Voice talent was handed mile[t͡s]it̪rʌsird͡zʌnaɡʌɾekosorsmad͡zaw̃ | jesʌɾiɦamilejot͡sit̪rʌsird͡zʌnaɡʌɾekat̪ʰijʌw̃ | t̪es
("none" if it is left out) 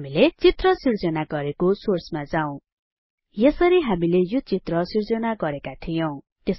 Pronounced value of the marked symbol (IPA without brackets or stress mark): t͡s